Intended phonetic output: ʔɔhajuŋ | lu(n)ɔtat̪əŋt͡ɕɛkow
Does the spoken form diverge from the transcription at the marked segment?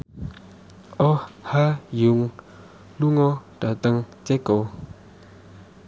yes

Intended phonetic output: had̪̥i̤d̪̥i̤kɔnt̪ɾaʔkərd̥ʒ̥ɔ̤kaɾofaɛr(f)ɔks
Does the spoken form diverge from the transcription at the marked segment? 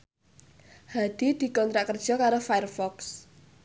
no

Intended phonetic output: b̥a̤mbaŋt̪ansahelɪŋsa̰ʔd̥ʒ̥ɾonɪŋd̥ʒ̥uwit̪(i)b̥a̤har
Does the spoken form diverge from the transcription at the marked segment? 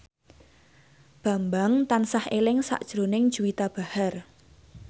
yes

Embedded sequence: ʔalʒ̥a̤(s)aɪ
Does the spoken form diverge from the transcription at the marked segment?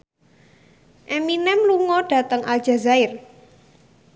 yes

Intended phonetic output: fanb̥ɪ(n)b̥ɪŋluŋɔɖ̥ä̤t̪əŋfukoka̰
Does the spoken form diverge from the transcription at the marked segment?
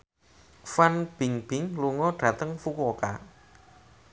yes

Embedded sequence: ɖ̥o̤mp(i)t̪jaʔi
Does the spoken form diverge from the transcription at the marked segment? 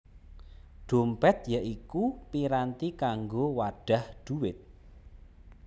yes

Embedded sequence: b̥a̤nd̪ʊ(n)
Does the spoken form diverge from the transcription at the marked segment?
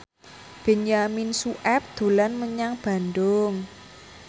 yes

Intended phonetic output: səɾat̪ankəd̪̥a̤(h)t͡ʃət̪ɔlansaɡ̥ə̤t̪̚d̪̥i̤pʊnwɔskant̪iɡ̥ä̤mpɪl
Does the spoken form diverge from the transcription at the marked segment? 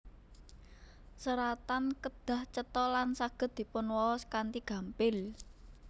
no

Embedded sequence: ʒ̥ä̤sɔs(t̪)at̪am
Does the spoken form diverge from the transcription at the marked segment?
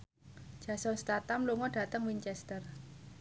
no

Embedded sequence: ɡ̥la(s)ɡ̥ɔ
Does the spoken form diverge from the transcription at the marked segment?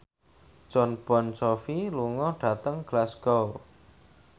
no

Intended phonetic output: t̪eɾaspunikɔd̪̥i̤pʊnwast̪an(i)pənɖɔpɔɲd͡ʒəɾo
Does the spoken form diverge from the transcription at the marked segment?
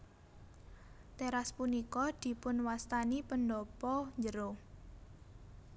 no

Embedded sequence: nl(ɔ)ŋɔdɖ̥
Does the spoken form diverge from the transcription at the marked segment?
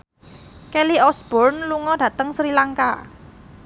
yes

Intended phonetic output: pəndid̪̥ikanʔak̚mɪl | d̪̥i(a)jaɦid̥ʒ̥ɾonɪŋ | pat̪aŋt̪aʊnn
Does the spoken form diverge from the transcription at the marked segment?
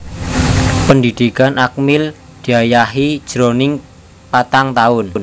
no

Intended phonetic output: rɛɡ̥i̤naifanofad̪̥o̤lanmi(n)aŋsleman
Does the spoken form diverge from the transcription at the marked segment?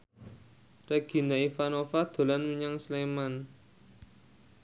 yes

